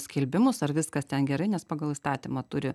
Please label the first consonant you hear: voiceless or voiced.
voiceless